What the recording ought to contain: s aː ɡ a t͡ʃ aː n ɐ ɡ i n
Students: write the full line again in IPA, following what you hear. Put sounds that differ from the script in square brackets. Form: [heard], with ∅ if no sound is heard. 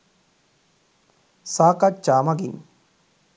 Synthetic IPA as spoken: s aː [k] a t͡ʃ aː [m] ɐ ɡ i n